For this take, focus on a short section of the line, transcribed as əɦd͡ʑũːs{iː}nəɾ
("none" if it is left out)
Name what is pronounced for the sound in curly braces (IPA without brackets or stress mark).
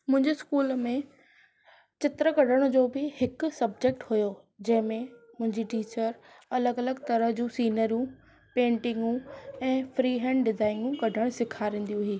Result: iː